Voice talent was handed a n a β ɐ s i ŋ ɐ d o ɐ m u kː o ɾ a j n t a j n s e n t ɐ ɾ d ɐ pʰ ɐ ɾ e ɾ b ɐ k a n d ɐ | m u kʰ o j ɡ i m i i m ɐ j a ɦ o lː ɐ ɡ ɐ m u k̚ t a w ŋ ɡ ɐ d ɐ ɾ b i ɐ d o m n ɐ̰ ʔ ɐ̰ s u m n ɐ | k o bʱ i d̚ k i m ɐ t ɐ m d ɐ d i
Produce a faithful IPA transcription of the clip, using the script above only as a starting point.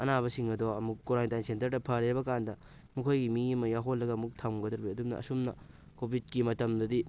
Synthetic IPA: ɐ n a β ɐ s i ŋ ɐ d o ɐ m u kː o ɾ a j n t a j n s e n t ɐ ɾ d ɐ pʰ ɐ ɾ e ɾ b ɐ k a n d ɐ | m u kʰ o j ɡ i m i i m ɐ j a ɦ o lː ɐ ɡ ɐ m u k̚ tʰ a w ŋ ɡ ɐ d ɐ ɾ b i ɐ d u m n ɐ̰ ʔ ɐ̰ s u m n ɐ | k o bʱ i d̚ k i m ɐ t ɐ m d ɐ d i